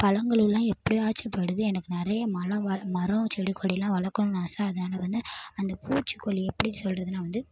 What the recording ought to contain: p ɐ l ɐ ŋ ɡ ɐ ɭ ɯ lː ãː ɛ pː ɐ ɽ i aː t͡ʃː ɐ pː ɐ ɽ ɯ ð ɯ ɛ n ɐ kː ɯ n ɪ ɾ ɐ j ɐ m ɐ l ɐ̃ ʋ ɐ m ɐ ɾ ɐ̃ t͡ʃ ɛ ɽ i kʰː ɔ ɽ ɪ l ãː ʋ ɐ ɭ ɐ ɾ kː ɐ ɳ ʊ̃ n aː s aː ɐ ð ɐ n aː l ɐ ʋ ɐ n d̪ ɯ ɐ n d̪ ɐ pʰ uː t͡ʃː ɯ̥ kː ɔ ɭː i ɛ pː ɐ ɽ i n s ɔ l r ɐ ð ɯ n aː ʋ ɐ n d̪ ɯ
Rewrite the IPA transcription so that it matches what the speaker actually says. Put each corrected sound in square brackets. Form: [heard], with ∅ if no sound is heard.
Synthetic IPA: p ɐ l ɐ ŋ ɡ ɐ ɭ ɯ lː ãː ɛ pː ɐ ɽ i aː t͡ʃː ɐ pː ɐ ɽ ɯ ð ɯ ɛ n ɐ kː ɯ n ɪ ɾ ɐ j ɐ m ɐ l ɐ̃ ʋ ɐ m ɐ ɾ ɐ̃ t͡ʃ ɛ ɽ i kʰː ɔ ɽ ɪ l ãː ʋ ɐ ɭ ɐ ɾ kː ɐ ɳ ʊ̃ n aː s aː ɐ ð ɐ n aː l ɐ ʋ ɐ n d̪ ɯ ɐ n d̪ ɐ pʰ uː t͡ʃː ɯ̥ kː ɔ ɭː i ɛ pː ɐ ɽ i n s ɔ l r ɐ ð ɯ n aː ʋ ɐ n d̪ ɯ